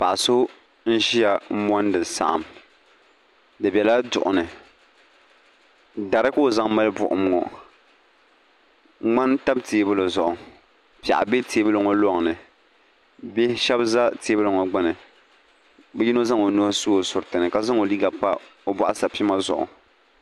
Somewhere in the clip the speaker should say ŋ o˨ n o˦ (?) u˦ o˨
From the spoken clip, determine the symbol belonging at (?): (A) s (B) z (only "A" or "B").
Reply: A